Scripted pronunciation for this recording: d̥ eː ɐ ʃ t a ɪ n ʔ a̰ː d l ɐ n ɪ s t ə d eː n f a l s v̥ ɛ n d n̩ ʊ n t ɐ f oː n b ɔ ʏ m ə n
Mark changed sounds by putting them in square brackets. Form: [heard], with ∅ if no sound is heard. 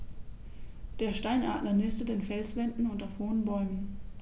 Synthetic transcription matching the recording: d̥ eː ɐ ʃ t a ɪ n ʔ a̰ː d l ɐ n ɪ s t ə d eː n f [ɛ] l s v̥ ɛ n d n̩ ʊ n t ɐ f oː n b ɔ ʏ m ə n